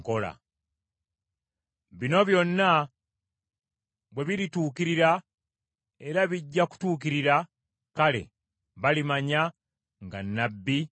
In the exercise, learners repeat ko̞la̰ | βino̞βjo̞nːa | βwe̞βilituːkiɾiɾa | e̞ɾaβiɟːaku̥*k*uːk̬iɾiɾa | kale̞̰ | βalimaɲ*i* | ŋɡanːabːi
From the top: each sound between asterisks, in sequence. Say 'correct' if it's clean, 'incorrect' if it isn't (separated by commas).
incorrect, incorrect